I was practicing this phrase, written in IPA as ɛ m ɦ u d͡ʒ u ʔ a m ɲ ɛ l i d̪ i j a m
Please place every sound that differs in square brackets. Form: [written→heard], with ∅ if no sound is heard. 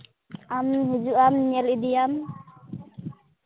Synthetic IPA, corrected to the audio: [ɛ→a] m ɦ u d͡ʒ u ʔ a m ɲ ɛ l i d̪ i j a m